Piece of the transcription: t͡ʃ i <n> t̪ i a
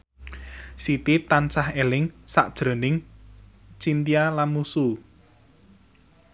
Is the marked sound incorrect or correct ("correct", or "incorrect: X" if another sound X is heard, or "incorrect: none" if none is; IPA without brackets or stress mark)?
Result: correct